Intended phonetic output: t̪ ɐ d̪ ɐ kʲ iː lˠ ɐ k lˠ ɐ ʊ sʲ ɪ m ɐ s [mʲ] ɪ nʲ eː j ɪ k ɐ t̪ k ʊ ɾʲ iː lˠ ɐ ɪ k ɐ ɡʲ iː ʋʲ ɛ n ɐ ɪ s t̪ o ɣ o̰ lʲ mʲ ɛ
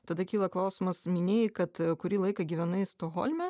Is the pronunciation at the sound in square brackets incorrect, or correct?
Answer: correct